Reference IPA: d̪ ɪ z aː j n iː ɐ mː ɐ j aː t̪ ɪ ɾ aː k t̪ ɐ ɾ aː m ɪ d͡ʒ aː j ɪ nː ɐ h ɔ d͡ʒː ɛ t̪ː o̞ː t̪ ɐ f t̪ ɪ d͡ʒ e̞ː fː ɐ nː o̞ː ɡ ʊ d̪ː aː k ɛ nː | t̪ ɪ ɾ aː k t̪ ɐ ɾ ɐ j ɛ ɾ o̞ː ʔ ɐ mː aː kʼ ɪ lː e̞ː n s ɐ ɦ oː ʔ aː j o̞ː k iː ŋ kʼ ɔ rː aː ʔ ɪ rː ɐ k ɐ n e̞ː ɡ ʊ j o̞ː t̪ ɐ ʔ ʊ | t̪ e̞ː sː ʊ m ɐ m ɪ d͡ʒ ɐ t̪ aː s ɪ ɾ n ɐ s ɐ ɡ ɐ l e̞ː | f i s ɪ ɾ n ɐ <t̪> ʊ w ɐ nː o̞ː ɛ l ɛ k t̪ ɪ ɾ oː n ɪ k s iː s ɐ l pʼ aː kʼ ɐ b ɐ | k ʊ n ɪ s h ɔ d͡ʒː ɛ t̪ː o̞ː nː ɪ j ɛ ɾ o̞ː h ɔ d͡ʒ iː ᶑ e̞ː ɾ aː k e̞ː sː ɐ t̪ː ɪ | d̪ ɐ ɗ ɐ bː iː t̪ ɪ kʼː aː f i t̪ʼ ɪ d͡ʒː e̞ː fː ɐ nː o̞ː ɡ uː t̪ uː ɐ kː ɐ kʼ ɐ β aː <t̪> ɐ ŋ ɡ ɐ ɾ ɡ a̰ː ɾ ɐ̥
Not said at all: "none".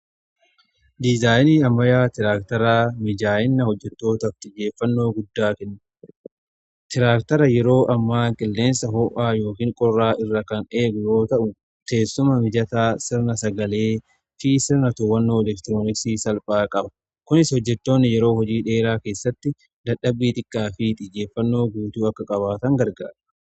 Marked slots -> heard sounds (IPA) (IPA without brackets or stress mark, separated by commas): t̪, t̪